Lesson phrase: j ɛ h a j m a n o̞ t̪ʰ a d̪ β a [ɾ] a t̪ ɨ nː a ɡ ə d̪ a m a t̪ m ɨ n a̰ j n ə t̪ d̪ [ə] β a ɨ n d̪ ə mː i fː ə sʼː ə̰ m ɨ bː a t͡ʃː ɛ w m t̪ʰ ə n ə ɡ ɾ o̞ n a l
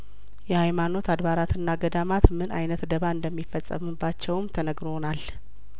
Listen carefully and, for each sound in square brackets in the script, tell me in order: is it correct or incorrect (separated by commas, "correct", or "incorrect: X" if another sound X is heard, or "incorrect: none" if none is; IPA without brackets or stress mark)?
correct, correct